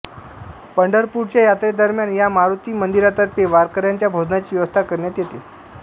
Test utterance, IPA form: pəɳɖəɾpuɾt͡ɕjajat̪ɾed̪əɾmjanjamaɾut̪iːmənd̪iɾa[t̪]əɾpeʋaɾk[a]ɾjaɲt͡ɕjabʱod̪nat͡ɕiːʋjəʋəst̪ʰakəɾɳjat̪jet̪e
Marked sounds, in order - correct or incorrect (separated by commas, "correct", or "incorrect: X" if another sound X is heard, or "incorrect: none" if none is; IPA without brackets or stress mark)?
correct, incorrect: ə